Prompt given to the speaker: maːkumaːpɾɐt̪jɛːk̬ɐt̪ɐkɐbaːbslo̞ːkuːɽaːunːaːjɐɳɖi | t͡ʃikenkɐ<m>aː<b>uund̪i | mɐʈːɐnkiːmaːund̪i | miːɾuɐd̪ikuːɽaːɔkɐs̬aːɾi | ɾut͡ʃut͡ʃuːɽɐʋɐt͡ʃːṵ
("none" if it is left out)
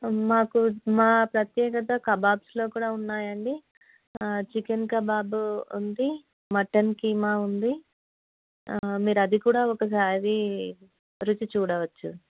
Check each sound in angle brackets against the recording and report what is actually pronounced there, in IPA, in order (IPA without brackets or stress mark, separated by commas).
b, b